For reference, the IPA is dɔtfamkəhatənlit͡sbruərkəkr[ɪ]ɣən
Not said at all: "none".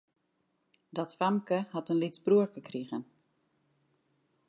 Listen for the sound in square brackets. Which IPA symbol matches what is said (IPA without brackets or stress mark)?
i